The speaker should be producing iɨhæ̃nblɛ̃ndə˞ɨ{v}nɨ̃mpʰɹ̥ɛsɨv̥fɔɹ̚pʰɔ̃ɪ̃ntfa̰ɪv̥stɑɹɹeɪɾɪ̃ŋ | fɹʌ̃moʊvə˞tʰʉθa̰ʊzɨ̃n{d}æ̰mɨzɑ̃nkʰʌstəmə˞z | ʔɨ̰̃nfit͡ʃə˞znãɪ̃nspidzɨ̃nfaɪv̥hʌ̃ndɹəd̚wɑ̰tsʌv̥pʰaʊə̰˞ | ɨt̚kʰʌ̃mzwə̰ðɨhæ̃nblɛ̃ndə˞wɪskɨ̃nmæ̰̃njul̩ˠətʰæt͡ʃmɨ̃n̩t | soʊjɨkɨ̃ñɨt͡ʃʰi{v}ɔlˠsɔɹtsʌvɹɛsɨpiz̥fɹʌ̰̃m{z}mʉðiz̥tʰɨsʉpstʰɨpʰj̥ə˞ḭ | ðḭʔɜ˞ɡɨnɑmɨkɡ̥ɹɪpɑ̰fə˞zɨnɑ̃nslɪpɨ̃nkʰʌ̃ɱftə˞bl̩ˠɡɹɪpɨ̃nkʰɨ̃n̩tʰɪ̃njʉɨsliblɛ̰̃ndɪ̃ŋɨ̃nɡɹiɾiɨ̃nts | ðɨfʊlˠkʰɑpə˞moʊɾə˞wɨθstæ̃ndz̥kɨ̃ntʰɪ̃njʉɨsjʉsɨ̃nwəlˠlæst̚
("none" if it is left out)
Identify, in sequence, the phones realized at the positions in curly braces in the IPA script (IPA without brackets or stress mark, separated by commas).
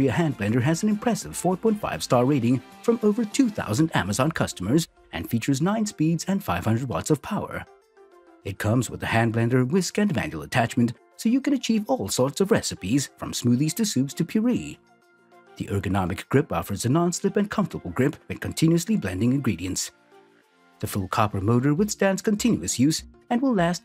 z, d, v, s